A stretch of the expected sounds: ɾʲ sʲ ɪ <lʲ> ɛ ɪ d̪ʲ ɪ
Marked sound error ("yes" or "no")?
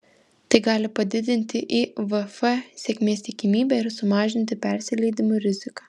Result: no